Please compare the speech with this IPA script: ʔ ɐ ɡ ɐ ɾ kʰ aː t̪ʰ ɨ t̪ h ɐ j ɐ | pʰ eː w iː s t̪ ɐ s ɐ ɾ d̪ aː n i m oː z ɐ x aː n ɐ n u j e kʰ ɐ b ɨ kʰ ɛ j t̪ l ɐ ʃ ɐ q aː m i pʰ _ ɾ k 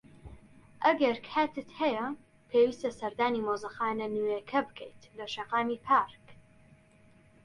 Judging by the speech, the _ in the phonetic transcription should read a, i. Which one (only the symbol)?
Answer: a